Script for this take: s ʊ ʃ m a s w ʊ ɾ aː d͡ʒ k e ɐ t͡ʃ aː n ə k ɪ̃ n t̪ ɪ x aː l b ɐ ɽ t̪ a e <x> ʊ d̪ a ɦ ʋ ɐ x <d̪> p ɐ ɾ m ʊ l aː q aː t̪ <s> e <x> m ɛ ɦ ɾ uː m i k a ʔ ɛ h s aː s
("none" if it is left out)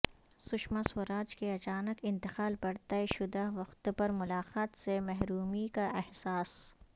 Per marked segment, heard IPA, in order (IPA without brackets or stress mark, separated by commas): ʃ, t̪, s, none